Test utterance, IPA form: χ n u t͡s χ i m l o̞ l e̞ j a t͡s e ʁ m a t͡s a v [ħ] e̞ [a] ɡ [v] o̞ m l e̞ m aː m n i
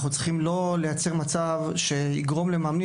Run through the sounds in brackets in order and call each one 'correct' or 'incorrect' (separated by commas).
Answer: incorrect, incorrect, incorrect